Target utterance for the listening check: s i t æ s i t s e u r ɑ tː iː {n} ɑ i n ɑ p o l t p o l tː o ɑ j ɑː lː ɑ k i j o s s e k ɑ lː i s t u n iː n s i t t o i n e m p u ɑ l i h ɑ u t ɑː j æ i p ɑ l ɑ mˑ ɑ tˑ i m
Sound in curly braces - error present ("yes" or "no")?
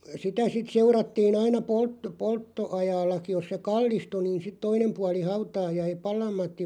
no